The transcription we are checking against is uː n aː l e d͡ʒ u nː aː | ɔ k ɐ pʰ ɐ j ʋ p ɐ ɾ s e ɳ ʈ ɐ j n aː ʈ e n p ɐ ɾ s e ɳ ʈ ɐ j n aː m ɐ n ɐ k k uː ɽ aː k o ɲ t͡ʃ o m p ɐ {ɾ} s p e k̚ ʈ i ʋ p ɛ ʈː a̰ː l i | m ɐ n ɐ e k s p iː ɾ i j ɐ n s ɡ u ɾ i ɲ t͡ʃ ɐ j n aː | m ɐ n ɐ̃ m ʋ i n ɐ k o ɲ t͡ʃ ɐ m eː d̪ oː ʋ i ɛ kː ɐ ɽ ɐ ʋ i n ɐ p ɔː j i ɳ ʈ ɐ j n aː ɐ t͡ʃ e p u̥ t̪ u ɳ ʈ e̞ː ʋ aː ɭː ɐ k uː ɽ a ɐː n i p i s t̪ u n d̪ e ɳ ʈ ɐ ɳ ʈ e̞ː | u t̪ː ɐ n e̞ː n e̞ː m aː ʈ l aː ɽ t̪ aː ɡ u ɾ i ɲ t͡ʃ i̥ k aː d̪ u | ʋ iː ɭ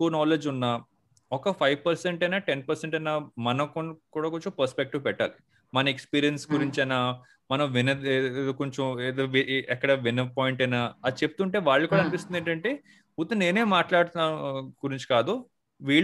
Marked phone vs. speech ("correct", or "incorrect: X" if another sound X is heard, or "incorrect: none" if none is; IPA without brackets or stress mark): correct